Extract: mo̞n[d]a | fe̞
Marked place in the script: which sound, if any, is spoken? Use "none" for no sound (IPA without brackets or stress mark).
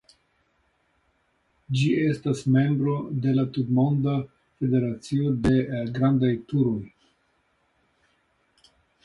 d